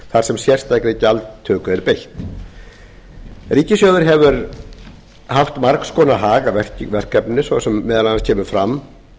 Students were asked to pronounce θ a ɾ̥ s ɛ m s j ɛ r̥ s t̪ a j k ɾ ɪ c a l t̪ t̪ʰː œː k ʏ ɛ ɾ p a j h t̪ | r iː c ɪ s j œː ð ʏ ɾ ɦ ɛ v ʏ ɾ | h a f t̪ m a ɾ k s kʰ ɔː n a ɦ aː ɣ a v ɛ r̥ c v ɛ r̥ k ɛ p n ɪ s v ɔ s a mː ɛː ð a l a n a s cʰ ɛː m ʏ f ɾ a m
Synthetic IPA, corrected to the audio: θ a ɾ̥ s ɛ m s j ɛ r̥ s t̪ a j k ɾ ɪ c a l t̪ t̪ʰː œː k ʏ ɛ ɾ p e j h t̪ | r iː c ɪ s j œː ð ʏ ɾ ɦ ɛ v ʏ ɾ | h a f t̪ m a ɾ k s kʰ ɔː n a ɦ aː ɣ a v ɛ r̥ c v ɛ r̥ k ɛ p n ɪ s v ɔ s ɛ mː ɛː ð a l a n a s cʰ ɛː m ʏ f ɾ a m